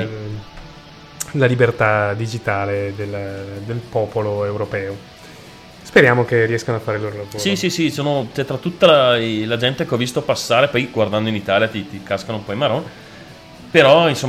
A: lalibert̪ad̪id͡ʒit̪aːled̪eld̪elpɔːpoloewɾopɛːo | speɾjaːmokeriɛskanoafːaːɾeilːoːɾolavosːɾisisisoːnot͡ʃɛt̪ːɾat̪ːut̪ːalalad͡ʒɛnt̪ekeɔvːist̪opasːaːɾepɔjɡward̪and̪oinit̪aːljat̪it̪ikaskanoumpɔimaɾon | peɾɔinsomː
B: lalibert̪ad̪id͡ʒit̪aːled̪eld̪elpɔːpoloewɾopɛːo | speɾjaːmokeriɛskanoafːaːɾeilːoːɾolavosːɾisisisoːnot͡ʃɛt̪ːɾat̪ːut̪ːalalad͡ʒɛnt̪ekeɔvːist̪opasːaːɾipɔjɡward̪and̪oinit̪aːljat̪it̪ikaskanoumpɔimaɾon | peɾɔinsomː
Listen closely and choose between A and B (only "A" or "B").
A